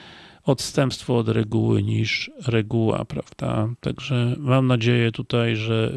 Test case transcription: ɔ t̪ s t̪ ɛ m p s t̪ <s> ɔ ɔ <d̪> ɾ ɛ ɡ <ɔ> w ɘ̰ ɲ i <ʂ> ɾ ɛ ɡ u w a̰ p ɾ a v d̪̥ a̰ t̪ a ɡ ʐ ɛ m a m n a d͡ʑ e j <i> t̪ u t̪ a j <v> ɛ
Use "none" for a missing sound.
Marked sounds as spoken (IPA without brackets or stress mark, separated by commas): f, d̪, u, ʂ, ɛ, ʐ